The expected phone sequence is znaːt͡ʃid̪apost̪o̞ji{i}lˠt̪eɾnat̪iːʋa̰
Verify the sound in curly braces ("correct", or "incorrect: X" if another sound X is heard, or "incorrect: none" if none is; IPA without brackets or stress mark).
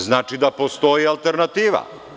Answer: incorrect: a